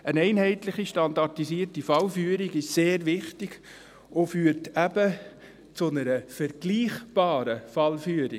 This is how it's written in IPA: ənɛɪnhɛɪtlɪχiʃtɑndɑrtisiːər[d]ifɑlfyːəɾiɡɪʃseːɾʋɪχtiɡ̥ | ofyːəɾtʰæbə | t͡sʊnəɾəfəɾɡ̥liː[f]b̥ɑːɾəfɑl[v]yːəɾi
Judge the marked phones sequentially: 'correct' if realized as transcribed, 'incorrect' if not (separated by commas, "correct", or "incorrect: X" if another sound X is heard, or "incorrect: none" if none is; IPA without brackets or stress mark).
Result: incorrect: t, incorrect: χ, incorrect: f